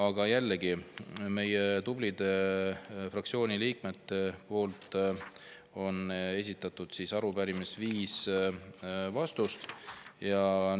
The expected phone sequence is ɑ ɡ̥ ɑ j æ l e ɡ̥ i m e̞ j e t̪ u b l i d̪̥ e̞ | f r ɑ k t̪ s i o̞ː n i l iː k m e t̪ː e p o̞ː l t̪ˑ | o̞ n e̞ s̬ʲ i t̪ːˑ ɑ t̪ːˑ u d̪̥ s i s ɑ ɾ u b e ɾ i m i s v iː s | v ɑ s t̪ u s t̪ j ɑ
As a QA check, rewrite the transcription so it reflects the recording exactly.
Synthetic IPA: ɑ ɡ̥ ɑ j æ lː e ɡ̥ i m e̞ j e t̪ u b l i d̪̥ e̞ | f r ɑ k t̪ s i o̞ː n i l iː k m e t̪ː e p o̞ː l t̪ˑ | o̞ n e̞ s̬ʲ i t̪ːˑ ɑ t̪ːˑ u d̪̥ s i s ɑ ɾ u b æ ɾ i m i s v iː s | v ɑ s t̪ u s t̪ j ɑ